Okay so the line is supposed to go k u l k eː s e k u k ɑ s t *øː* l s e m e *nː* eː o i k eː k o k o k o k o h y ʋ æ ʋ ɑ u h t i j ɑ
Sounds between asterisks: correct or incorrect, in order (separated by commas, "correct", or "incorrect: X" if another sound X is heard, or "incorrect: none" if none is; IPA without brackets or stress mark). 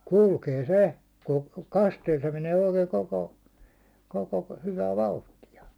incorrect: eː, incorrect: n